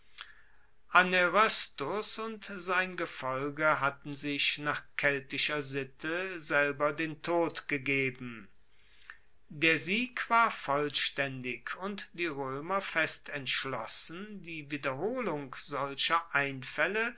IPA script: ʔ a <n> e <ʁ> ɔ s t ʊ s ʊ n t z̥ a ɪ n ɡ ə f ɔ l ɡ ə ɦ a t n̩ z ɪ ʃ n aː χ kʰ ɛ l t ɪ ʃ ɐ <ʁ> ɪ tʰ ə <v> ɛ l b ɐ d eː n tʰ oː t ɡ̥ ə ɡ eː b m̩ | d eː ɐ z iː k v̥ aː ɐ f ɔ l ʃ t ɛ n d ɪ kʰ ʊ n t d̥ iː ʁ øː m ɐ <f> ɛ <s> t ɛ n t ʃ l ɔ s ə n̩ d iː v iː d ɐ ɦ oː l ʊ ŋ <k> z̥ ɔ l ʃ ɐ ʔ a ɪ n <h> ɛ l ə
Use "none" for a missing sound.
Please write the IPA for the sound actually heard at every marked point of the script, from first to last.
n, ʁ, z, z, f, s, k, f

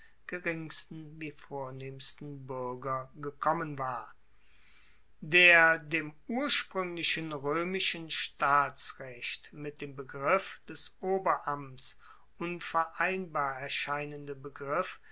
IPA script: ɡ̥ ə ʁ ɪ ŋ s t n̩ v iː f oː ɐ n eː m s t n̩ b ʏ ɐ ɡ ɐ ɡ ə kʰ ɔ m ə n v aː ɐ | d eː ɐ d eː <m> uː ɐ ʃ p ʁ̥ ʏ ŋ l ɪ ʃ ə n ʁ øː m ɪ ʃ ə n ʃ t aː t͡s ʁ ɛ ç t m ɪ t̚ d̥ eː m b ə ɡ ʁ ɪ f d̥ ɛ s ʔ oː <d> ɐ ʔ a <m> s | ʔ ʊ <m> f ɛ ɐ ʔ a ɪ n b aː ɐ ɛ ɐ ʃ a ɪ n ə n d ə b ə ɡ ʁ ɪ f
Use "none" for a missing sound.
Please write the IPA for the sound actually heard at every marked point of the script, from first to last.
m, b, m, n

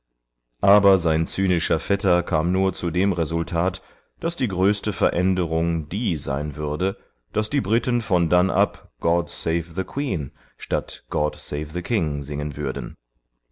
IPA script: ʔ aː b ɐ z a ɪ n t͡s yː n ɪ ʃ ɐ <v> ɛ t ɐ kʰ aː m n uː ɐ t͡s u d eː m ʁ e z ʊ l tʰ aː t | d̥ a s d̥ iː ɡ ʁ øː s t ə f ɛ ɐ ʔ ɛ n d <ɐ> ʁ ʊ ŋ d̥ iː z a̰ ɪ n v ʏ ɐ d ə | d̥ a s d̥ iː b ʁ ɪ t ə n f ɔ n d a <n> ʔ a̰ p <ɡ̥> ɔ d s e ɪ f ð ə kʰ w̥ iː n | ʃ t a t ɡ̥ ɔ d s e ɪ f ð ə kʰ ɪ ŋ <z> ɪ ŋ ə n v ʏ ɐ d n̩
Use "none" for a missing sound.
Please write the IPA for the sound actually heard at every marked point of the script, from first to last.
f, ə, n, ɡ̥, z

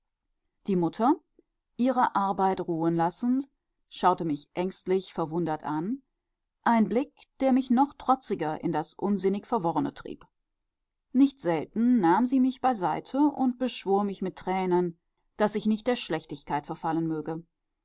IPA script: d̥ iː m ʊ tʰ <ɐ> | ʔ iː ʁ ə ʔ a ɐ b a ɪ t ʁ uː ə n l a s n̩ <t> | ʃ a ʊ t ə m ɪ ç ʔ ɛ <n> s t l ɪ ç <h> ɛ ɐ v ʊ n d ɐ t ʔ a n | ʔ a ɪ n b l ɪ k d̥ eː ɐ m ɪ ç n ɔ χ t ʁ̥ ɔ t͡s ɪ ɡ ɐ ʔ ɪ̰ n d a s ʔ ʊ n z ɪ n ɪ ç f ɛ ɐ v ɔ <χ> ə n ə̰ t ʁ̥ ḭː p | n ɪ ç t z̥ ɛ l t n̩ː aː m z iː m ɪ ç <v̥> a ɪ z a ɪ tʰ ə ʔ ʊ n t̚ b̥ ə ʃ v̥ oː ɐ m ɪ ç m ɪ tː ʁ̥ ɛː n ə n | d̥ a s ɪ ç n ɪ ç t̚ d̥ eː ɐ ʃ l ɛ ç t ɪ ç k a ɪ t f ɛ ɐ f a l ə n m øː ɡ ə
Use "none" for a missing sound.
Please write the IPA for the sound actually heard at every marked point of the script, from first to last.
ɐ, t, ŋ, f, ʁ, b̥

